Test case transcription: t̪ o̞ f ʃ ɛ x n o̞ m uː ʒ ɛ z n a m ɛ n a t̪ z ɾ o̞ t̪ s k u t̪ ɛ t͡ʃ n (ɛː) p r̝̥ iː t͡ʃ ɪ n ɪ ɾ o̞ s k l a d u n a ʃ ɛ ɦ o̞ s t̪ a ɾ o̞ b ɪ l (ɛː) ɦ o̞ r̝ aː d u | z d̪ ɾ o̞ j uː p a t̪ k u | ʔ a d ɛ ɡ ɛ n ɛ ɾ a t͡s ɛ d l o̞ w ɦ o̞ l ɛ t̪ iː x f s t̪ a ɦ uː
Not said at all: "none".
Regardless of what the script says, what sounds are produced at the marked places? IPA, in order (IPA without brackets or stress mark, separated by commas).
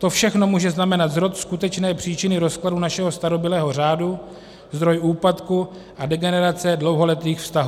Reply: ɛː, ɛː